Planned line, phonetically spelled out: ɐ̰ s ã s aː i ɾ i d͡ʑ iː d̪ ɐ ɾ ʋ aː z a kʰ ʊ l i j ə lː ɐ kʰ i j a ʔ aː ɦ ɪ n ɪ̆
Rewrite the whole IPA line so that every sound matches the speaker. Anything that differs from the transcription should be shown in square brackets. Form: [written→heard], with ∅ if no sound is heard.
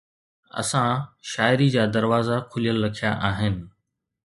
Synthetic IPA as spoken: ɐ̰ s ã [s→ʃ] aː [i→ɪ] ɾ i d͡ʑ [iː→aː] d̪ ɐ ɾ ʋ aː z a kʰ ʊ l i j ə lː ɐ kʰ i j a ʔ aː ɦ ɪ n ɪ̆